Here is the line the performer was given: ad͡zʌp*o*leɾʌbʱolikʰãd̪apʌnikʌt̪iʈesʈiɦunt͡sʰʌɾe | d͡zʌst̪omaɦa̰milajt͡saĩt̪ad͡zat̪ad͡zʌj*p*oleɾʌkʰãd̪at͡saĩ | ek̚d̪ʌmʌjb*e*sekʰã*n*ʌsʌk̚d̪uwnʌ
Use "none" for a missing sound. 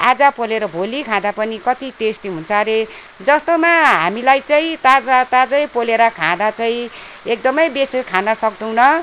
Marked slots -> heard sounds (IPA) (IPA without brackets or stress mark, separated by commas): o, p, e, n